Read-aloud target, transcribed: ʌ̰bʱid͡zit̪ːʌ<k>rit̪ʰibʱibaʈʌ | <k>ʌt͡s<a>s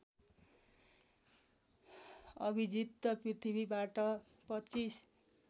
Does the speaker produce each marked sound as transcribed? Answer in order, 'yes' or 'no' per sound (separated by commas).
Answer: no, no, no